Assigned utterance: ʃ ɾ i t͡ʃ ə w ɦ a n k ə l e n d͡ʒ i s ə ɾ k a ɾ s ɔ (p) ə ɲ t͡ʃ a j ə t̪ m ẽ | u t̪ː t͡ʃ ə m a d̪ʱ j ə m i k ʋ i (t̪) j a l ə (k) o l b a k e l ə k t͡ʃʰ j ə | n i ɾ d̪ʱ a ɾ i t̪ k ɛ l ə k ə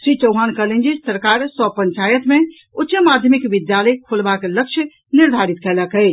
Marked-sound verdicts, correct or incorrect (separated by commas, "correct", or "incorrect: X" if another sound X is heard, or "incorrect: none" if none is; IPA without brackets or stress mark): correct, incorrect: d̪, incorrect: kʰ